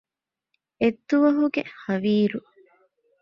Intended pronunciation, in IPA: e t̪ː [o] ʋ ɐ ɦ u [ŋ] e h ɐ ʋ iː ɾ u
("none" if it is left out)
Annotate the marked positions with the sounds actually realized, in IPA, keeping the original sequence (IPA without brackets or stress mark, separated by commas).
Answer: u, ɡ